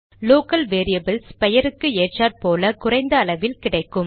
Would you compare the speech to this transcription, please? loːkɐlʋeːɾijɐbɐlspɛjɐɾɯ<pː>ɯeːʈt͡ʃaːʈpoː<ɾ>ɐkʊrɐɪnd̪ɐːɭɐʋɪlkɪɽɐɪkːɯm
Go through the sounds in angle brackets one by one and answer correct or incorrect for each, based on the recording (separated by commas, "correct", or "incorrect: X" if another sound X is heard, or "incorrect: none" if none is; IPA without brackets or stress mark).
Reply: incorrect: kː, incorrect: l